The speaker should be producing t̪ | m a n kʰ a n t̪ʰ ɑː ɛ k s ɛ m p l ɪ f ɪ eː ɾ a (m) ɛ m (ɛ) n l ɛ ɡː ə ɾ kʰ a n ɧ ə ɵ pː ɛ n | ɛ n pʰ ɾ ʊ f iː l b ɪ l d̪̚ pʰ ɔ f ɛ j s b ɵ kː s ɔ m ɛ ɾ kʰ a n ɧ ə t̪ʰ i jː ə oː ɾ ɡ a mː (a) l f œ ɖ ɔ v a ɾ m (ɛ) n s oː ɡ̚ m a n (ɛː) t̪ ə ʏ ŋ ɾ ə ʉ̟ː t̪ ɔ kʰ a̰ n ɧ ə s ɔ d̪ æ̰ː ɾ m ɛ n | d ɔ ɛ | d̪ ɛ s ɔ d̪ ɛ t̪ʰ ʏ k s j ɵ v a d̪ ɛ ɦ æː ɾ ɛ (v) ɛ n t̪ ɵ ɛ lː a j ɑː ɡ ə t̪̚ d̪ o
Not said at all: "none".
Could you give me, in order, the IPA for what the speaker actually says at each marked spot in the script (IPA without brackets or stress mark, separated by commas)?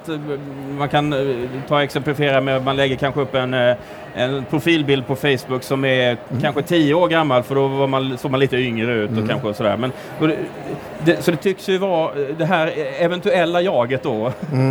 m, a, a, a, iː, v